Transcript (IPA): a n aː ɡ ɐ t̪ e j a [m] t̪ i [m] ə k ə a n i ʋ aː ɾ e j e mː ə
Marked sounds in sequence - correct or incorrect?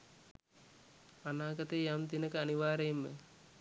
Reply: correct, incorrect: n

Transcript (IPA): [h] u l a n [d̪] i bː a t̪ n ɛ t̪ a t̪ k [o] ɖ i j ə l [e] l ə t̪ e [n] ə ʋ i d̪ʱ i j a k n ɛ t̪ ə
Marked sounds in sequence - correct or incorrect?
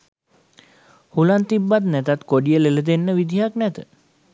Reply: correct, incorrect: t̪, correct, correct, incorrect: nː

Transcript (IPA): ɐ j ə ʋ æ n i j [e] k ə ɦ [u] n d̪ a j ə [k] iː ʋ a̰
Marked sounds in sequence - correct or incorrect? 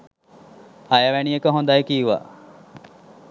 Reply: correct, incorrect: o, correct

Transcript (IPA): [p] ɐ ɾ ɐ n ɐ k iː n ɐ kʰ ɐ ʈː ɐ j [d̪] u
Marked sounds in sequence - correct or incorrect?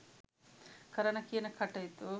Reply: incorrect: k, incorrect: t̪

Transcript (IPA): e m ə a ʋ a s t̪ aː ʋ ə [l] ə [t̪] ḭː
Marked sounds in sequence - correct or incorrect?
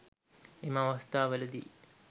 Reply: correct, incorrect: d̪

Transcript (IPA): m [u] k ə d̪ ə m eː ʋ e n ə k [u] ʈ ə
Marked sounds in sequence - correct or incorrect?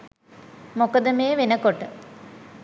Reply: incorrect: o, incorrect: o

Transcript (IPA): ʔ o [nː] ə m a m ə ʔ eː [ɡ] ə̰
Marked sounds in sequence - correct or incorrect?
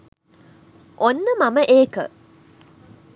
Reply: correct, incorrect: k

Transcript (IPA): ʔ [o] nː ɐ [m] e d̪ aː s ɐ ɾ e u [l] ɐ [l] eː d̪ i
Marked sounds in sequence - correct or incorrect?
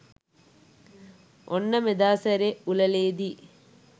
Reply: correct, correct, correct, correct

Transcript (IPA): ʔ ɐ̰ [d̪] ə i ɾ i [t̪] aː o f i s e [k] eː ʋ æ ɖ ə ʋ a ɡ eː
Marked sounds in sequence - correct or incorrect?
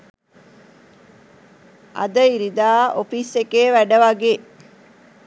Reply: correct, incorrect: d̪, correct

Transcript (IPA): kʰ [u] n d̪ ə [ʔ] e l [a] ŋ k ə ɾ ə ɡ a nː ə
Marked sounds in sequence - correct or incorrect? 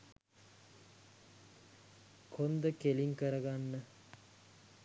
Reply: incorrect: o, incorrect: k, incorrect: i

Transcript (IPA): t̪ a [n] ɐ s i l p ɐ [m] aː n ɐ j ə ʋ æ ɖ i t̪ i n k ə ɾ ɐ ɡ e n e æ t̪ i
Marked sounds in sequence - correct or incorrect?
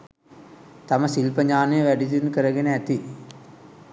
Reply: incorrect: m, incorrect: ɲ

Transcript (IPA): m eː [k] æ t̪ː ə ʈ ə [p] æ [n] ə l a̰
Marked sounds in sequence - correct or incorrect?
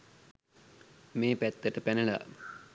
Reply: incorrect: p, correct, correct

